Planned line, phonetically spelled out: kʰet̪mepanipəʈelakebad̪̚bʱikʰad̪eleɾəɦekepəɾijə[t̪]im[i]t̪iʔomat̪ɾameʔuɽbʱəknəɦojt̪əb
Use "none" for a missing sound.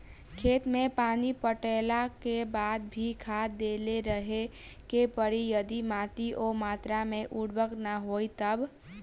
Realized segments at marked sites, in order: d̪, a

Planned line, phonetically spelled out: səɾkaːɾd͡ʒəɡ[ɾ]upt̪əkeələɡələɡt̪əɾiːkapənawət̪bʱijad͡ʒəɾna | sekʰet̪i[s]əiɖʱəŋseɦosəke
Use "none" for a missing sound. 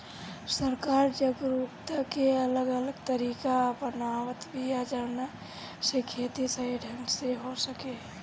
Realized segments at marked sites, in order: ɾ, s

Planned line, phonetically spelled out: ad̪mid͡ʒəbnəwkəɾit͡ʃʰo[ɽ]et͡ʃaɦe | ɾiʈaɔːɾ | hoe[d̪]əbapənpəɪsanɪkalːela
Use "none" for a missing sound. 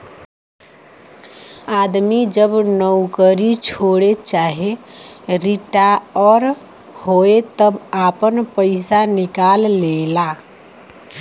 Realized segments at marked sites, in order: ɽ, t̪

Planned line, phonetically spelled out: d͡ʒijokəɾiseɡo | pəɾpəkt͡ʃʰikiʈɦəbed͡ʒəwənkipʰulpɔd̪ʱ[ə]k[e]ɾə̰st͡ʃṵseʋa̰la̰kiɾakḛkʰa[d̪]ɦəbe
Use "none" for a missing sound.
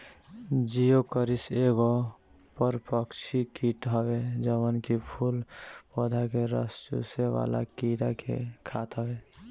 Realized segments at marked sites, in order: a, e, t̪

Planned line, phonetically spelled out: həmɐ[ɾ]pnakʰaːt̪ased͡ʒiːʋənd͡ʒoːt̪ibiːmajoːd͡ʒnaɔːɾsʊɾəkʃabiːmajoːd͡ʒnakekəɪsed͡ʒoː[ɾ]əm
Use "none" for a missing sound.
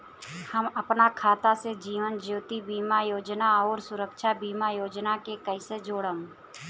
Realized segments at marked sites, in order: none, ɽ

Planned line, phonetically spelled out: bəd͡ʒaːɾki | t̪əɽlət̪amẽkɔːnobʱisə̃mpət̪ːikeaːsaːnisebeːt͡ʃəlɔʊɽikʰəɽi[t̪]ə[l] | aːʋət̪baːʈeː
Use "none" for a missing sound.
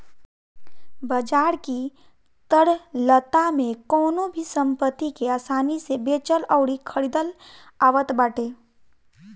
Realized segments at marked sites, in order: d̪, l

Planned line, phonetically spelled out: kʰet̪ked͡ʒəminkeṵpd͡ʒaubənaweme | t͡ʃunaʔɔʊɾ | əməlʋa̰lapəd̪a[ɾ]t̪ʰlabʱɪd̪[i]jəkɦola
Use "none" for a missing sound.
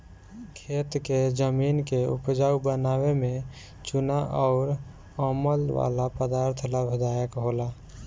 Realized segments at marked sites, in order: ɾ, a

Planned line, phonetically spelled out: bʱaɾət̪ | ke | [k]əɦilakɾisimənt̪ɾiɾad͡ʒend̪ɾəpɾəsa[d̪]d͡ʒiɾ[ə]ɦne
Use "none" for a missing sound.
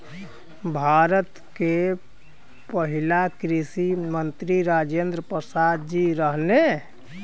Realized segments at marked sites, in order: p, d̪, ə

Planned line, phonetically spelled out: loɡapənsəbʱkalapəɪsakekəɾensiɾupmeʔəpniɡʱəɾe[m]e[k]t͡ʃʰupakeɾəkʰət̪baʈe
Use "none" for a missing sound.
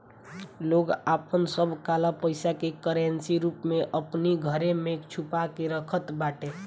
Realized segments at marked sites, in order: m, k

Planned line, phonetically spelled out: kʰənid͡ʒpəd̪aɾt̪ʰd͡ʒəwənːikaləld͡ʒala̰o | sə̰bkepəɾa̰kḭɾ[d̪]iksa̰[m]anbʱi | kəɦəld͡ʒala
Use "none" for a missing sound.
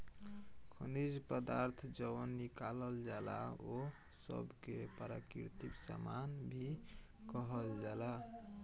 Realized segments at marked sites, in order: t̪, m

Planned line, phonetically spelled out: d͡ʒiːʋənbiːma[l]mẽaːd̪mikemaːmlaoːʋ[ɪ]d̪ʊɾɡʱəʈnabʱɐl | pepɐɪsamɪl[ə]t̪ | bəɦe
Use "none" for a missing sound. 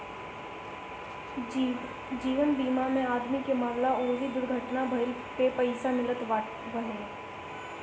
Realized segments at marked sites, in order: none, i, ə

